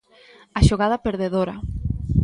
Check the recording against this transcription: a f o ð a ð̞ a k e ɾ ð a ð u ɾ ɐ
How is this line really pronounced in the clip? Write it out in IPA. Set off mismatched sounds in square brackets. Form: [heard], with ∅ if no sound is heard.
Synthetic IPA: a [ʃ] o [ɣ] a ð̞ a [p] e ɾ ð [e] ð [o] ɾ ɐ